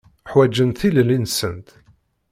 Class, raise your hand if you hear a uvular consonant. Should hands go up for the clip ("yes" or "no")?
no